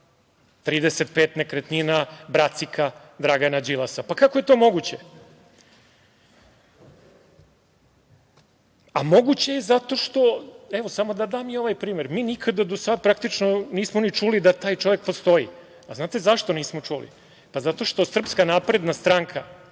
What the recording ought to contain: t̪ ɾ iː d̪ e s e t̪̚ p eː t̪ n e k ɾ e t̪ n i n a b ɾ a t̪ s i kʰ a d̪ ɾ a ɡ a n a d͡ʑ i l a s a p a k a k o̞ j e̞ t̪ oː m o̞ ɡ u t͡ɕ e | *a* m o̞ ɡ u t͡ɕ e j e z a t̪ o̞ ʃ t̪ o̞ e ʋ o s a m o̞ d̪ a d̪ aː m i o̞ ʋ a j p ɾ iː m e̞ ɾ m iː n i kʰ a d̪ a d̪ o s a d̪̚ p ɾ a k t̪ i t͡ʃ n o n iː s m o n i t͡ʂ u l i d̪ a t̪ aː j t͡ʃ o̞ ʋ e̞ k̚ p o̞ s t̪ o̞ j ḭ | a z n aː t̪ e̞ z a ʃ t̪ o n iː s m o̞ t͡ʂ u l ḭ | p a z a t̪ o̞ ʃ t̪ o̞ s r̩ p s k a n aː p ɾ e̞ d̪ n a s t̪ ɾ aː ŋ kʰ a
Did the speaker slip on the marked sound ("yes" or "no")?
no